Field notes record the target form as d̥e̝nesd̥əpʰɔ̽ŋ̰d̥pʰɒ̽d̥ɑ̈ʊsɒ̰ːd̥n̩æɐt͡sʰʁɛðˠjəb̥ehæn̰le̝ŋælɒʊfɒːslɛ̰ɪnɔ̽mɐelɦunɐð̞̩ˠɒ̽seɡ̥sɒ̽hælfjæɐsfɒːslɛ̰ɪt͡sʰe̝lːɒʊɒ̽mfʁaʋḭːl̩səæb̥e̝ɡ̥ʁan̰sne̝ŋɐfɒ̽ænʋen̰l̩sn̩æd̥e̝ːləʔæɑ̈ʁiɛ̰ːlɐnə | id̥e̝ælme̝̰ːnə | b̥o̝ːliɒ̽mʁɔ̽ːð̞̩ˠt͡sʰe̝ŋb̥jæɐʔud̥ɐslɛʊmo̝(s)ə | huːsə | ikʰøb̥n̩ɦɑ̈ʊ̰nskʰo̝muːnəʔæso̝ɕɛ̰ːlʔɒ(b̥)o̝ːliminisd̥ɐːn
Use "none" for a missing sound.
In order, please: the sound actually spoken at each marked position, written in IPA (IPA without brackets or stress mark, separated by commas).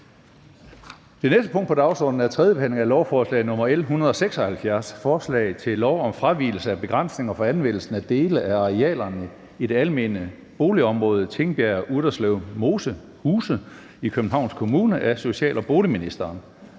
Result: s, b̥